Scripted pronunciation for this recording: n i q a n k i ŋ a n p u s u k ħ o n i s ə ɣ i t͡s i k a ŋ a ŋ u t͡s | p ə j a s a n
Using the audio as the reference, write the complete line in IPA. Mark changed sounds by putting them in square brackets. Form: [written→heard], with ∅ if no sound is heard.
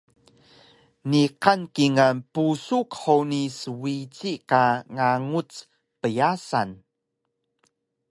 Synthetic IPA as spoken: n i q a n k i ŋ a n p u s u k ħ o n i s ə [ɣ→w] i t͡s i k a ŋ a ŋ u t͡s | p ə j a s a n